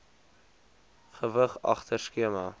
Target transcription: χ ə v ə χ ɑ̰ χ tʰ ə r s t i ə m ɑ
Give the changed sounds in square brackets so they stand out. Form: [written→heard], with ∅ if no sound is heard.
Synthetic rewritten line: χ ə v ə χ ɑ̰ χ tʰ ə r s [t→k] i ə m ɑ